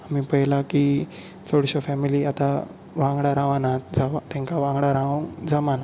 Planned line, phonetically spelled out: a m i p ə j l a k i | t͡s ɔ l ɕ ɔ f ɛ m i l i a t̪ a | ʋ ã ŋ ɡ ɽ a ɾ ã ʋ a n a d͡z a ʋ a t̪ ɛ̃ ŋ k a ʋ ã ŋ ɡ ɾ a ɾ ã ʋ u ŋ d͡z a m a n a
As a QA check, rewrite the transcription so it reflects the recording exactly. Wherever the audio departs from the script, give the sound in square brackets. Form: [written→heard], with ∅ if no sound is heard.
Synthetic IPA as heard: a m i p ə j l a k i | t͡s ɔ [l→ɽ] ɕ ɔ f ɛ m i l i a t̪ a | ʋ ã ŋ ɡ ɽ a ɾ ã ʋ a n a d͡z a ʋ a t̪ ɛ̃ ŋ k a ʋ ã ŋ ɡ [ɾ→ɽ] a ɾ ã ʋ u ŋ d͡z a m a n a